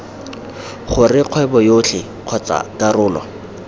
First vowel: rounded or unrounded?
rounded